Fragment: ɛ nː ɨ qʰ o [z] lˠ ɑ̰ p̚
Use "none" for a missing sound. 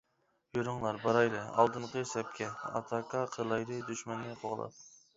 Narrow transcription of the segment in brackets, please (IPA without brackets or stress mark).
ʁ